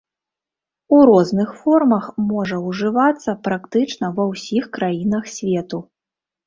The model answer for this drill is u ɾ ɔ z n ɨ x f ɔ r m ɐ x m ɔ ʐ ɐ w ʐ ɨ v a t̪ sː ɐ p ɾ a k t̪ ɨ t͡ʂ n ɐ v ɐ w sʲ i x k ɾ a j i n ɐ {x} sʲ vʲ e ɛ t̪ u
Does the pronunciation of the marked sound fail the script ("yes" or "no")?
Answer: no